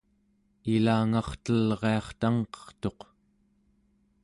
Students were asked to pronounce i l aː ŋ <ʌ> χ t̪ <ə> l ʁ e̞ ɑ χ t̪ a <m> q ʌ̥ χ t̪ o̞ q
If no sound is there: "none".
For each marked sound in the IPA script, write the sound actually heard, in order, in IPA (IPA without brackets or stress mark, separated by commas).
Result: ɑ, ə, ŋ